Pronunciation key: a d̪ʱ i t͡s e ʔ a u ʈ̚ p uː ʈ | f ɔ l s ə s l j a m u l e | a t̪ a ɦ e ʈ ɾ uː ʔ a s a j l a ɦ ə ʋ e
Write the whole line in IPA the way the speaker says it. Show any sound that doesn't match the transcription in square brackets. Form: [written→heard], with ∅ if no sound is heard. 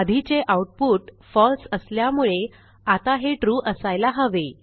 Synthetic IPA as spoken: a d̪ʱ i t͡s e ʔ a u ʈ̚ p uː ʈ | f ɔ l s ə s l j a m u [l→ɭ] e | a t̪ a ɦ e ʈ ɾ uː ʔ [a→ə] s a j l a ɦ ə ʋ e